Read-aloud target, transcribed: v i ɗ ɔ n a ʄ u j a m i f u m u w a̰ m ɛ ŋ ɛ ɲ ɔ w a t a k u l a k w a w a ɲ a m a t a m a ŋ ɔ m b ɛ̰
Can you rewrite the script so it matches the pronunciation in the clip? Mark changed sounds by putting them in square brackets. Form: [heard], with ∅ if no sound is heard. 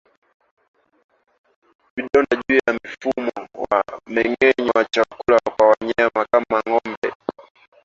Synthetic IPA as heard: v i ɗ ɔ n a ʄ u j a m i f u m [ɔ] w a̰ m ɛ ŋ ɛ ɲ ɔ w a [t͡ʃ] a k u l a k w a w a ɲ a m a [k] a m a ŋ ɔ m b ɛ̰